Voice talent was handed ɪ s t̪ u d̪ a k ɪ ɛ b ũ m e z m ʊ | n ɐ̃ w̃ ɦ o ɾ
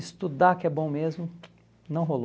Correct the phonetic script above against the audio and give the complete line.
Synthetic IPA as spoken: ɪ s t̪ u d̪ a k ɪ ɛ b õ m e z m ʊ | n ɐ̃ w̃ ɦ o l